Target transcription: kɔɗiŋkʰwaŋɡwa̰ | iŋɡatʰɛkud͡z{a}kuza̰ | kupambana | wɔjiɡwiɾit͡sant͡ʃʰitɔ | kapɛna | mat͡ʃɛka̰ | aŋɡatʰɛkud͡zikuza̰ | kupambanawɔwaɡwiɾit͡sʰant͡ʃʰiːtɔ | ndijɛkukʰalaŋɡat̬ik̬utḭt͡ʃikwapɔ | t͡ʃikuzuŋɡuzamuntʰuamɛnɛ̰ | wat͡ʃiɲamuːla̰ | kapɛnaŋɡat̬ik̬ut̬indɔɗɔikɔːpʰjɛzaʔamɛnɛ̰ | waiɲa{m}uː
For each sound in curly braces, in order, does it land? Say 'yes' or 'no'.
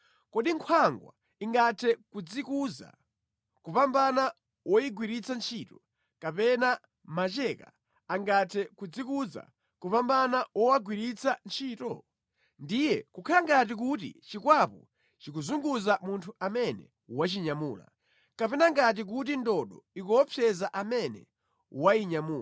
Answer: no, yes

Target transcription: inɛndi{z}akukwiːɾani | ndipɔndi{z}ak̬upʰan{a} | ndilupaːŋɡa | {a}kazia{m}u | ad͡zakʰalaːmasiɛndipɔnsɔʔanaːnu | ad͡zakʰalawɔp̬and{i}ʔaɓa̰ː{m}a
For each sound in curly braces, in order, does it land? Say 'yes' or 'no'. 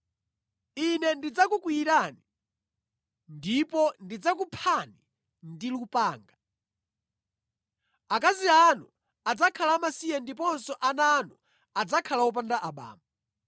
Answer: no, no, no, yes, no, no, yes

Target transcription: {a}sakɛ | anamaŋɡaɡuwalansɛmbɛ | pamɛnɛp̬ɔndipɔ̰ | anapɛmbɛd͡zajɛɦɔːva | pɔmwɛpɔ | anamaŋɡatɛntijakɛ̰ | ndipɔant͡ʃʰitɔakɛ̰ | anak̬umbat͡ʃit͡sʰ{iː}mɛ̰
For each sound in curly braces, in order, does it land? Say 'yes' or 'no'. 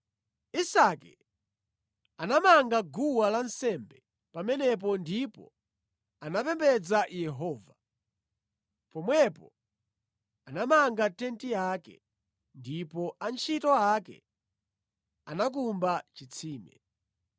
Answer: no, yes

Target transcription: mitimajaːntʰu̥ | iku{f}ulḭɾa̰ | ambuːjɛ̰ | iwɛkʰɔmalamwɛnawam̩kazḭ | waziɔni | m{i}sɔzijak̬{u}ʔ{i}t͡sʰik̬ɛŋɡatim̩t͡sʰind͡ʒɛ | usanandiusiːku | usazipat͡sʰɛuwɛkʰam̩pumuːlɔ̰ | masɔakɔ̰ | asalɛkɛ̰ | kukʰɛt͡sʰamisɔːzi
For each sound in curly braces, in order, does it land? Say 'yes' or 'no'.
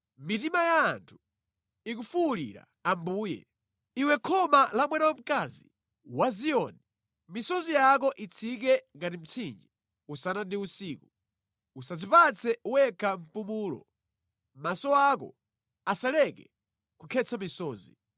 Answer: yes, yes, no, yes

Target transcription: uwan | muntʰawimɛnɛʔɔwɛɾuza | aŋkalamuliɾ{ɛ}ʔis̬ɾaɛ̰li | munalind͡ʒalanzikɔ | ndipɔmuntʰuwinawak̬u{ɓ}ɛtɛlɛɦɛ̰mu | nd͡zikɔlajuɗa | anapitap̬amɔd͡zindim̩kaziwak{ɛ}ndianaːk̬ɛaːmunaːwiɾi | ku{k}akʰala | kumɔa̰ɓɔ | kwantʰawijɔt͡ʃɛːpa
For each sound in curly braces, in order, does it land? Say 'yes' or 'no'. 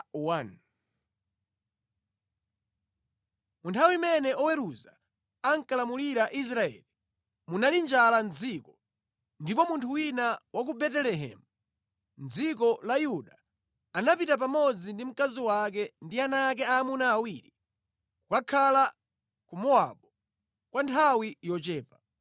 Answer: no, no, yes, yes

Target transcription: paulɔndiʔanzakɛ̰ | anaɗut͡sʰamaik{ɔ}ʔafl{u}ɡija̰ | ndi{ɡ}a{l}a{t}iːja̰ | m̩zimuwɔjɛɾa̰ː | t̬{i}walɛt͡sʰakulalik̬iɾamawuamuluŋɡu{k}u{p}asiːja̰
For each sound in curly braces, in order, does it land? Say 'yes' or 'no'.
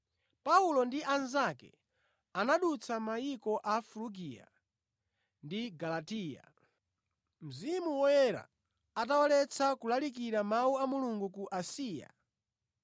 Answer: yes, yes, yes, yes, yes, no, yes, no

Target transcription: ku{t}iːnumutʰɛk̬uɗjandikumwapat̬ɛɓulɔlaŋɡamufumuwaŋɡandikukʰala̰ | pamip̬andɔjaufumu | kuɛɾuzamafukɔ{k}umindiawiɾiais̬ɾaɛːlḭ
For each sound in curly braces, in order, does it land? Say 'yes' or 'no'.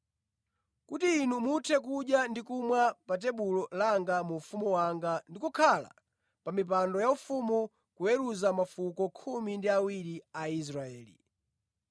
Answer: yes, no

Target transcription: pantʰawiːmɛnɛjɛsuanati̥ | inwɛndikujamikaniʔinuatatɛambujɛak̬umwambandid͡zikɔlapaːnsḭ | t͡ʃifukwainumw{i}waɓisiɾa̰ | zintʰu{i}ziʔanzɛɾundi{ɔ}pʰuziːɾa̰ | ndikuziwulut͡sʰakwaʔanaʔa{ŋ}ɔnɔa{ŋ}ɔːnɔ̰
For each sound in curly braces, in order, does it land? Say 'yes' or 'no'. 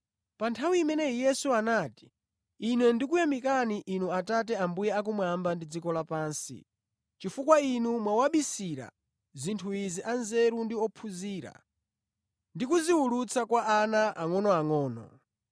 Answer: no, yes, yes, yes, yes

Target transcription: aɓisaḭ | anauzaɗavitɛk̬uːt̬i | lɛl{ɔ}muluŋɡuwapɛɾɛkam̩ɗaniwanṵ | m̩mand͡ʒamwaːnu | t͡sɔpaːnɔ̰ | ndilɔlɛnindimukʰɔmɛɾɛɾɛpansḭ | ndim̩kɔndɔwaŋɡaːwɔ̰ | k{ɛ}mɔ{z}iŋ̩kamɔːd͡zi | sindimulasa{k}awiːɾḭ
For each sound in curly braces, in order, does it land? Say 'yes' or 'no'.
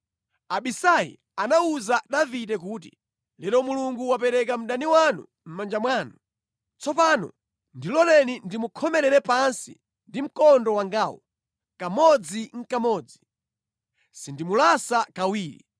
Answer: yes, no, no, yes

